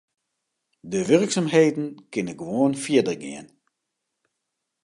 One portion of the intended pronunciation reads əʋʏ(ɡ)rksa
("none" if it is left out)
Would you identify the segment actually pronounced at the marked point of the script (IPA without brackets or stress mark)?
none